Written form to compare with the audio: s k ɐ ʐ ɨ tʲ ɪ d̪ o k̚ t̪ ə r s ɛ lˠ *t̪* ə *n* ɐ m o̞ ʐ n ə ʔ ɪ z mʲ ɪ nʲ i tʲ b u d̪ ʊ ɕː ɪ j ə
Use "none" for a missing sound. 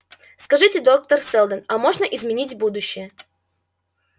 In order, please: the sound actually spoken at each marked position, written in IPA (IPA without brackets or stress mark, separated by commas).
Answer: d̪, n